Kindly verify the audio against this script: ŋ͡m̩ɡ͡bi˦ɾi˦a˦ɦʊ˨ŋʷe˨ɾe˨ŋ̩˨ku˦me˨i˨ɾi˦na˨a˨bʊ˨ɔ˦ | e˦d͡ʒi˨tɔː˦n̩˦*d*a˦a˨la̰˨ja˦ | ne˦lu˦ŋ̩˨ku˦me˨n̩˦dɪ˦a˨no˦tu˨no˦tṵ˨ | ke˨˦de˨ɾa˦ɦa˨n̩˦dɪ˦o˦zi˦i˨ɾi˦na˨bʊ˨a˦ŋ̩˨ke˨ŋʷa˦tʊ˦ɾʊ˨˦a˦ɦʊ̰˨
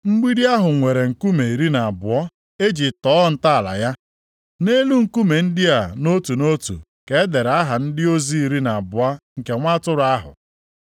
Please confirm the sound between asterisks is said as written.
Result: no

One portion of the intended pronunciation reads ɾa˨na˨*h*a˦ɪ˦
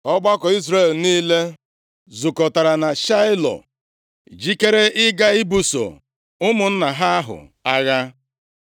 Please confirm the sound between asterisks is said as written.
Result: no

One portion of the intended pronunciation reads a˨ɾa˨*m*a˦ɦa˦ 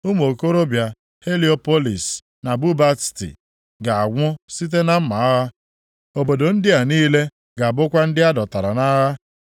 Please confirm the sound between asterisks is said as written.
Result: no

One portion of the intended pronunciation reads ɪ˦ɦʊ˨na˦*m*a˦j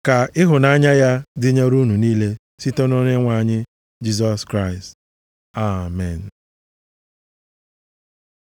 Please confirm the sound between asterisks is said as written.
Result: no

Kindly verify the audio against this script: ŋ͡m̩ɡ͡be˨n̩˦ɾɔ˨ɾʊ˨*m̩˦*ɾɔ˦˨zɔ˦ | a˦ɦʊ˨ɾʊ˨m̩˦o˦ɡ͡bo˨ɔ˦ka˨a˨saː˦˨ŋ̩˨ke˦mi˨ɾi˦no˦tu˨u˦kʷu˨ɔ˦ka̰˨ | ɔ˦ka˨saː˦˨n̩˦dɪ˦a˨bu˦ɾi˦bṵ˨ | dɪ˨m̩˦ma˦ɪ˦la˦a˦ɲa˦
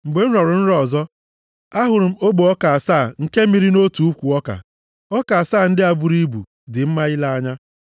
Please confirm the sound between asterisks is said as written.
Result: no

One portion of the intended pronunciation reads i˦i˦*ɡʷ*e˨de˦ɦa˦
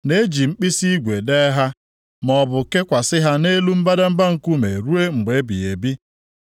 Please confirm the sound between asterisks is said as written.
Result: yes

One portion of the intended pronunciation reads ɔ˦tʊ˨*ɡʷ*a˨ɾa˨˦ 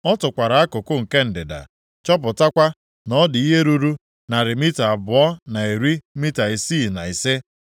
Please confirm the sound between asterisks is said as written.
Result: no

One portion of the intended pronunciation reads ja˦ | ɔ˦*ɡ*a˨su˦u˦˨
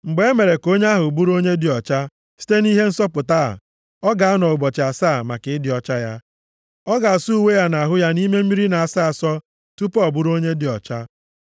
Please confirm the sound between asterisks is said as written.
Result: yes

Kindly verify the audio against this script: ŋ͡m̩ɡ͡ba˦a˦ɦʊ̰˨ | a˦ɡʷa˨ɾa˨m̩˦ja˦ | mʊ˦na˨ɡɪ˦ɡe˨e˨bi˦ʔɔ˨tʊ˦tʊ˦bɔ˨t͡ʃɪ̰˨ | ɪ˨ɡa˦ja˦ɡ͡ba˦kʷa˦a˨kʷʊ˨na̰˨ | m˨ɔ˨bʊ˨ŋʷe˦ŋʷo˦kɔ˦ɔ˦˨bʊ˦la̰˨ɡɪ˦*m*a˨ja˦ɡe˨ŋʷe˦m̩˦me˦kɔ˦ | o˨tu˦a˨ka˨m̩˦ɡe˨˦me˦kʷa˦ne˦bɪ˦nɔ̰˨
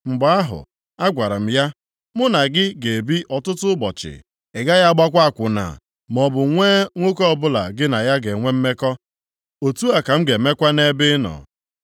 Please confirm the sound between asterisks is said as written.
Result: no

